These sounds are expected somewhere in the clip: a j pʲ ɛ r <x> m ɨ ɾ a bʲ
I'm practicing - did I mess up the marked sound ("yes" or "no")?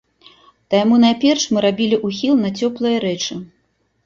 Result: yes